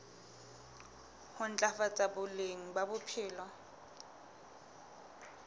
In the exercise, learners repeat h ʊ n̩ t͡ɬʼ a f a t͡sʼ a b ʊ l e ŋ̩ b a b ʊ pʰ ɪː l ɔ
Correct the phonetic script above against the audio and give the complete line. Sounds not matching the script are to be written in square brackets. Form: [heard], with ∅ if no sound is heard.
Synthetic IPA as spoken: h ʊ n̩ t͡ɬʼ a f a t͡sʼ a b ʊ l e ŋ̩ b a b ʊ pʰ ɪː l ɔ